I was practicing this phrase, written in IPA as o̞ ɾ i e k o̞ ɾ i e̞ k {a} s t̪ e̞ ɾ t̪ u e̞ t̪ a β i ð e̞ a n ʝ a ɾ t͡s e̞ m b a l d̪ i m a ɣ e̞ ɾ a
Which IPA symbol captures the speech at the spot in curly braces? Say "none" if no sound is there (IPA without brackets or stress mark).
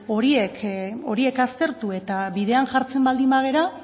a